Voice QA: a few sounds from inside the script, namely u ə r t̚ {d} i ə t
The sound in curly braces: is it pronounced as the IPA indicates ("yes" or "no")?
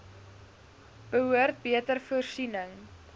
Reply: no